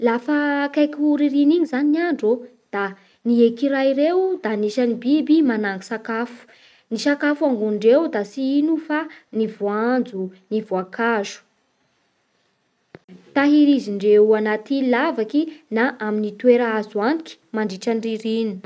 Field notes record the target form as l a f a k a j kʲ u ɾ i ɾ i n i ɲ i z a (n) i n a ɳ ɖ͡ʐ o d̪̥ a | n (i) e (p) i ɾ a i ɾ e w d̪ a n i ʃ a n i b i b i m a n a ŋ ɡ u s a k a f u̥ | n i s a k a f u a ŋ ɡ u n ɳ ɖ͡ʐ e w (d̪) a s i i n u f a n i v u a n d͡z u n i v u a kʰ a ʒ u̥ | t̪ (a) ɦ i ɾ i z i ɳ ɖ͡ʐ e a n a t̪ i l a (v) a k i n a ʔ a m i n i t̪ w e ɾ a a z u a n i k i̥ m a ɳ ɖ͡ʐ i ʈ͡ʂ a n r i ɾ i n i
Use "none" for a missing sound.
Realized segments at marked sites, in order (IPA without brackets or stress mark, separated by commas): n, i, k, d̪, a, v